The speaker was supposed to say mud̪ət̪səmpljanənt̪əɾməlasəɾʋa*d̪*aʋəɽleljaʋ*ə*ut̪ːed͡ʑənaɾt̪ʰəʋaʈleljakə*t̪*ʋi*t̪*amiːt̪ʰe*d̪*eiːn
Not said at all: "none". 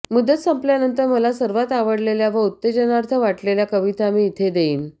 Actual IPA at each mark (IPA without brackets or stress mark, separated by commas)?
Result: t̪, ə, none, t̪, d̪